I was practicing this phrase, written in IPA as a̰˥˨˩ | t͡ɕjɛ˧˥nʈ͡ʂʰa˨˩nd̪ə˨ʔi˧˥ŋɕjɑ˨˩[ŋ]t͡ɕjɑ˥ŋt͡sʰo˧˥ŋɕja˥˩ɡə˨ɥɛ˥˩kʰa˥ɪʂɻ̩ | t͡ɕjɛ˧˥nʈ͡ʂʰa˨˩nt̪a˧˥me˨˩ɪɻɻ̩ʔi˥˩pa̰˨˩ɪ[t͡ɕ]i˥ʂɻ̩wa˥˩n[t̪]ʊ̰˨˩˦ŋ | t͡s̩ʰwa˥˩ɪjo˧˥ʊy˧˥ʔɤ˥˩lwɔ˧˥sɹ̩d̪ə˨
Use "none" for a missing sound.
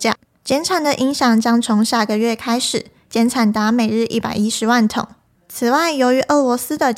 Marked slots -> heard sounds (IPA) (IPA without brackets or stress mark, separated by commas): ŋ, none, t̪ʰ